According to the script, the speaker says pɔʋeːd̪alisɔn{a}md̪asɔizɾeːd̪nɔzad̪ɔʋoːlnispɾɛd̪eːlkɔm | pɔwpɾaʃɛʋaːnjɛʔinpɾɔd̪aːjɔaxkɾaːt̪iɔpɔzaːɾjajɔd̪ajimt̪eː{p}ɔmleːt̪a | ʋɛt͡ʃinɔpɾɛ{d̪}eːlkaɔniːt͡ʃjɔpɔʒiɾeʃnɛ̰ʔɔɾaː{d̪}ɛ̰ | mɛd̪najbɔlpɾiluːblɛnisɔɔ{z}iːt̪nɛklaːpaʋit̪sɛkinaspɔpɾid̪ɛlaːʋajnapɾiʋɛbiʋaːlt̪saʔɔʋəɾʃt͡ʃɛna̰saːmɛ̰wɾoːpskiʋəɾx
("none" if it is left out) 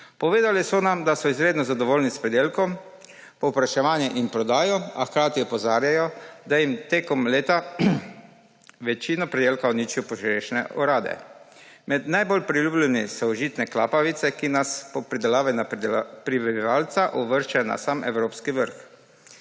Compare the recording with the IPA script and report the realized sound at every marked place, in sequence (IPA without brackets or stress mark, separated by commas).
a, k, d̪, d̪, ʒ